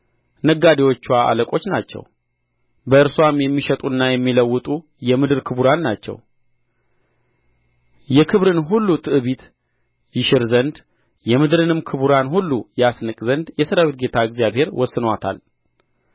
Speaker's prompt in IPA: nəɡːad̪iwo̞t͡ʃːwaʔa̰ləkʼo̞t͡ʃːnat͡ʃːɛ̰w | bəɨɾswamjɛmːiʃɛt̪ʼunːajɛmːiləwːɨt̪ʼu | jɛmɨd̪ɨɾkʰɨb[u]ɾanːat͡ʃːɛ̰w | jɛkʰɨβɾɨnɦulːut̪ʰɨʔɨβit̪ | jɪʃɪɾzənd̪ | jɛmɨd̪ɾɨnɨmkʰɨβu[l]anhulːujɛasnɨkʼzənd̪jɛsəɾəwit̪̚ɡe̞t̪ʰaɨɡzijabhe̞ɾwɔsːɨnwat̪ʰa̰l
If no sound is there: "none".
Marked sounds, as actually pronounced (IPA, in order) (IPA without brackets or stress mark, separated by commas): u, ɾ